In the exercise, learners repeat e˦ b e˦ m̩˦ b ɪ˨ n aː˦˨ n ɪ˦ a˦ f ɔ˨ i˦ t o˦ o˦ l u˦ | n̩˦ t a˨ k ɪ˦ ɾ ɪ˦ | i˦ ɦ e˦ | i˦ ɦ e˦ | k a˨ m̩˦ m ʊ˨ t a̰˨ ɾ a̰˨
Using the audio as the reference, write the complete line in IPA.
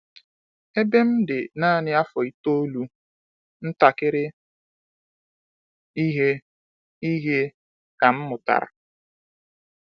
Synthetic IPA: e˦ b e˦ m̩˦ d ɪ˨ n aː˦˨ n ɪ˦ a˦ f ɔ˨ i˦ t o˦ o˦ l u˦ | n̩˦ t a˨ k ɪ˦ ɾ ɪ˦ | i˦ ɦ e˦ | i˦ ɦ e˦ | k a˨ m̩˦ m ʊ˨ t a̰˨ ɾ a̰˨